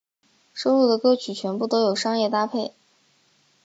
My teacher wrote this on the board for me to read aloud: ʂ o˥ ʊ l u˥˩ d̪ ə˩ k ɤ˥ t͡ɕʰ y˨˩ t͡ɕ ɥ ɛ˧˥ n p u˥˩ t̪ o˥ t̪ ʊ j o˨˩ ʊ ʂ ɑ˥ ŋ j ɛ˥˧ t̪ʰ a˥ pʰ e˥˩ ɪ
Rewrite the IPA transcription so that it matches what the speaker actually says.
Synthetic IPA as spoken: ʂ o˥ ʊ l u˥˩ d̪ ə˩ k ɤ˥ t͡ɕʰ y˨˩ t͡ɕʰ ɥ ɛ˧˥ n p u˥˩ t̪ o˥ ʊ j o˨˩ ʊ ʂ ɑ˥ ŋ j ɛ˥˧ t̪ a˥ pʰ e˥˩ ɪ

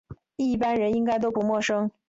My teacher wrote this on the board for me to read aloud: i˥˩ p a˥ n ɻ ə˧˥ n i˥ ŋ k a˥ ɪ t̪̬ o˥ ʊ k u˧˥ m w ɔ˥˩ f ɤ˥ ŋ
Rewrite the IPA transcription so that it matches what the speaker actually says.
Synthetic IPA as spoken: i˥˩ p a˥ n ɻ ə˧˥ n i˥ ŋ k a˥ ɪ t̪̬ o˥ ʊ p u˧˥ m w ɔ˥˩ ʂ ɤ˥ ŋ

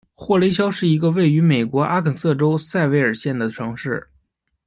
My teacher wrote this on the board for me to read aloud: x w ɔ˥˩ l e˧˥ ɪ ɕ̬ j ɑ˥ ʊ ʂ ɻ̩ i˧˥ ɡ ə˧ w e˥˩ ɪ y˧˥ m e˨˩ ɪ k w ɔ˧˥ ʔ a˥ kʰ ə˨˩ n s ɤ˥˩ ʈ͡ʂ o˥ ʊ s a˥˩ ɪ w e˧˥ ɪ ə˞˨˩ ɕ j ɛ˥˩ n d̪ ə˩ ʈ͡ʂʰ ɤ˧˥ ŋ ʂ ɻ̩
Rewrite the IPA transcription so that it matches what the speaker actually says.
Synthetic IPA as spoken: x w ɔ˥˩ l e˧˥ ɪ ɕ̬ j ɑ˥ ʊ ʂ ɻ̩ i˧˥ ɡ ə˧ w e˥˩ ɪ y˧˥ m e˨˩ ɪ k w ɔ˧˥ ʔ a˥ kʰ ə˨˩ n s ɤ˥˩ ʈ͡ʂ o˥ ʊ s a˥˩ ɪ w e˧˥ ɪ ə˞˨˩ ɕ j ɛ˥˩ n d̪ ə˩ ʈ͡ʂʰ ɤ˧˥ ŋ ʂ ɻ̩

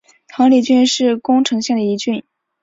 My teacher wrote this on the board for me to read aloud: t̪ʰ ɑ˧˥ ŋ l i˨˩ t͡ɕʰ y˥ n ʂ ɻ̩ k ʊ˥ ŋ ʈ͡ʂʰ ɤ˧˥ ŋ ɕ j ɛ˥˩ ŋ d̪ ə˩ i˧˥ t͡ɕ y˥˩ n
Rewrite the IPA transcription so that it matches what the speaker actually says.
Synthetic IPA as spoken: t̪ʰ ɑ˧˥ ŋ l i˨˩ t͡ɕ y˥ n ʂ ɻ̩ k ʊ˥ ŋ ʈ͡ʂʰ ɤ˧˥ ŋ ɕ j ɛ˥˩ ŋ d̪ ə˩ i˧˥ t͡ɕ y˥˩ n

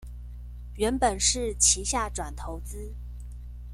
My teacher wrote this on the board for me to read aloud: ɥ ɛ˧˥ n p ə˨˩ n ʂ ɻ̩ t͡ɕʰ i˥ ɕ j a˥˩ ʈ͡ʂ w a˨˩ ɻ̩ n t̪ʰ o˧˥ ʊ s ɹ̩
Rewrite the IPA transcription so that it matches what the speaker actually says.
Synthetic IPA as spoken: ɥ ɛ˧˥ n p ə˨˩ n ʂ ɻ̩ t͡ɕʰ i˧˥ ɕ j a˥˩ ʈ͡ʂ w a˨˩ n t̪ʰ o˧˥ ʊ t͡s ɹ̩

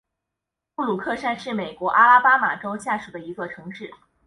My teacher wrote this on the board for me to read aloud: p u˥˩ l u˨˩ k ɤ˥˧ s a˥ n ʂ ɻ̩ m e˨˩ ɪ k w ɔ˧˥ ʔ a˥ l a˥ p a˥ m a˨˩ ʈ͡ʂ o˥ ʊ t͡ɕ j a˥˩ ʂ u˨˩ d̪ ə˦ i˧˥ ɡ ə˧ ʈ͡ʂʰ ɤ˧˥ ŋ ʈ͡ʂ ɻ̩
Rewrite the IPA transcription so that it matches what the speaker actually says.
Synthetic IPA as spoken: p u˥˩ l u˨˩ kʰ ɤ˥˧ ʂ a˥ n ʂ ɻ̩ m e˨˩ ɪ k w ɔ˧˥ ʔ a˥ l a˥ p a˥ m a˨˩ ʈ͡ʂ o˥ ʊ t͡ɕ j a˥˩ ʂ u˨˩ d̪ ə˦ i˧˥ ɡ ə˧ ʈ͡ʂʰ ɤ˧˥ ŋ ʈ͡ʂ ɻ̩

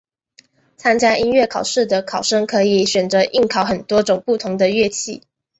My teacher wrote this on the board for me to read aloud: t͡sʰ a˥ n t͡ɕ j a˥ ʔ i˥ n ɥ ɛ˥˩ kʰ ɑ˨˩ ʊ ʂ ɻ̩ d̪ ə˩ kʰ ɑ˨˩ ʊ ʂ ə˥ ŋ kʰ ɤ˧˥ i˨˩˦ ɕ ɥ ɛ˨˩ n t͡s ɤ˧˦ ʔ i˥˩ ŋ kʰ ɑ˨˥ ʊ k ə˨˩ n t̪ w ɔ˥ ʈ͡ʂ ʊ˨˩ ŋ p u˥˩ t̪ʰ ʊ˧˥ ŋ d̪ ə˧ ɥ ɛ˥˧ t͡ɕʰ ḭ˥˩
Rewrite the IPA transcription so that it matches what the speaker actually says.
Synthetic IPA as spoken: t͡sʰ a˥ n t͡ɕ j a˥ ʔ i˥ n ɥ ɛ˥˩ kʰ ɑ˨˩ ʊ ʂ ɻ̩ d̪ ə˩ kʰ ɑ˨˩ ʊ ʂ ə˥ ŋ kʰ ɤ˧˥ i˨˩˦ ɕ ɥ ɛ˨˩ n t͡s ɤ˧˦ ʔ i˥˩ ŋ kʰ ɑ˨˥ ʊ x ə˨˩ n t̪ w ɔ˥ ʈ͡ʂ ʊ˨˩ ŋ p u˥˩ t̪ʰ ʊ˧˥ ŋ d̪ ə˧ ɥ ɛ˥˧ t͡ɕʰ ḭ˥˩

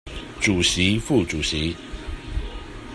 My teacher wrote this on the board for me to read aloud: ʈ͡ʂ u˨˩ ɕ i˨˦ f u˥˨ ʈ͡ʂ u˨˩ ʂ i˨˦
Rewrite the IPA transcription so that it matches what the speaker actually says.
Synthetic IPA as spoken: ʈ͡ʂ u˨˩ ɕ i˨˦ f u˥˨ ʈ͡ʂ u˨˩ ɕ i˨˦

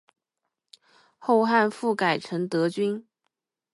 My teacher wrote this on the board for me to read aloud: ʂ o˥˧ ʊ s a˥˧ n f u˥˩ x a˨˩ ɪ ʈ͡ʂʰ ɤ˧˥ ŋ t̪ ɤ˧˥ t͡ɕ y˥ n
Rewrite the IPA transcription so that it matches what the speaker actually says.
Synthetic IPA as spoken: x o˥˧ ʊ x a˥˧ n f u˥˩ k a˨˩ ɪ ʈ͡ʂʰ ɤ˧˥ ŋ t̪ ɤ˧˥ t͡ɕ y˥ n

